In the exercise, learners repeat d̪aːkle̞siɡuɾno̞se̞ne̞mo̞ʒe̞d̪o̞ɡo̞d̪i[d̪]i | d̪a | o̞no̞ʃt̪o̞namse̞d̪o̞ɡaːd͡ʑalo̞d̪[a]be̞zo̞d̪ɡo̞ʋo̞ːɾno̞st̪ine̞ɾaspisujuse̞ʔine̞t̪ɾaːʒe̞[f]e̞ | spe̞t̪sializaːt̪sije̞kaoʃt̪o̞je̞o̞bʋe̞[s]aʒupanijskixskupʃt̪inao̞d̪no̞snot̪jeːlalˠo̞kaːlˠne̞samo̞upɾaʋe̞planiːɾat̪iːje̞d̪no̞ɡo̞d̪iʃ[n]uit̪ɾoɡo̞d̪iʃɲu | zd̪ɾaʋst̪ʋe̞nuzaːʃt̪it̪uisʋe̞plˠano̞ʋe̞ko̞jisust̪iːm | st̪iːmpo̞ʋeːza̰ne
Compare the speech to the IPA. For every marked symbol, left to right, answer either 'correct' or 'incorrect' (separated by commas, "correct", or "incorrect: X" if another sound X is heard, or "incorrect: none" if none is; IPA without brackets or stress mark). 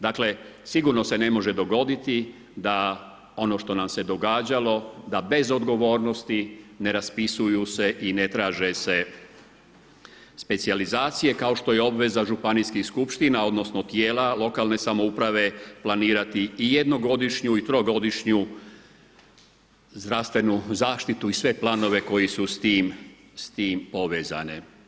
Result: incorrect: t̪, correct, incorrect: s, incorrect: z, incorrect: ɲ